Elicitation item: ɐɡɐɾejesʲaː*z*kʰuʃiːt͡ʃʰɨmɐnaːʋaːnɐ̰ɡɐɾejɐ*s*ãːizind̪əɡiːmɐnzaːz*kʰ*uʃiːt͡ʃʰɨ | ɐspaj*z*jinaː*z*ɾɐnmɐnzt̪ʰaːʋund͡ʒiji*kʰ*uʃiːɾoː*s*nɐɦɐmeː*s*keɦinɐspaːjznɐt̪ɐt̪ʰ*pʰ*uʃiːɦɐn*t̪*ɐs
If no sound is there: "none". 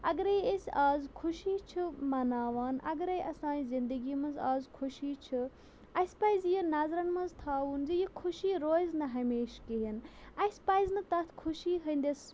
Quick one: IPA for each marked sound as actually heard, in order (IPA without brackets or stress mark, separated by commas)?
z, s, kʰ, z, z, kʰ, z, ʃ, kʰ, d̪